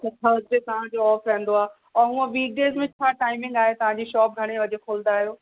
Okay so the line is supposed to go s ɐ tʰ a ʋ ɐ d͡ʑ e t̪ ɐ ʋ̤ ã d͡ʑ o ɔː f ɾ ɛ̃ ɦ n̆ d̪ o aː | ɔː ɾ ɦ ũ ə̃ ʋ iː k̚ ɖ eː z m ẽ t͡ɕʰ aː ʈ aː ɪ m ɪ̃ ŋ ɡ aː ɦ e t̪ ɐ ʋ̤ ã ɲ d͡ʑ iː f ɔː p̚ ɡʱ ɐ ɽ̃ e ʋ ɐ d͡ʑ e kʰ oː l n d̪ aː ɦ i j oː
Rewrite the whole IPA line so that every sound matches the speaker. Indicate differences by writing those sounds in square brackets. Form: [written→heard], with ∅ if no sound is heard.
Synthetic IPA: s ɐ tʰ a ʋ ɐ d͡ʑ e t̪ ɐ ʋ̤ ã d͡ʑ o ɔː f ɾ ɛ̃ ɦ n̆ d̪ o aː | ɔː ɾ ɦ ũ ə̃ ʋ iː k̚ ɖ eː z m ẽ t͡ɕʰ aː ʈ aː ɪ m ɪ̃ ŋ ɡ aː ɦ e t̪ ɐ ʋ̤ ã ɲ d͡ʑ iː [f→ʃ] ɔː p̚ ɡʱ ɐ ɽ̃ e ʋ ɐ d͡ʑ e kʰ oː l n d̪ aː ɦ i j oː